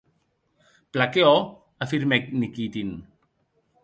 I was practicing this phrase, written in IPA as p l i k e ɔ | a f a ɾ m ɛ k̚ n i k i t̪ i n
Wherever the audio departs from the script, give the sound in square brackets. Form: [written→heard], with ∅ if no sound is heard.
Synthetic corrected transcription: p l [i→a] k e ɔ | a f [a→i] ɾ m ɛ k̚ n i k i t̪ i n